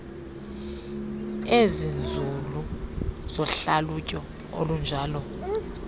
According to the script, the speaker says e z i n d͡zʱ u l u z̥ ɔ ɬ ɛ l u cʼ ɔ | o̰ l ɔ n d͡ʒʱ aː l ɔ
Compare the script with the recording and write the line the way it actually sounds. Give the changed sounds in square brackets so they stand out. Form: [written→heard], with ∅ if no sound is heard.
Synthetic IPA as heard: e z i n d͡zʱ u l u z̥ ɔ ɬ [ɛ→a] l u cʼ ɔ | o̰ l [ɔ→u] n d͡ʒʱ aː l ɔ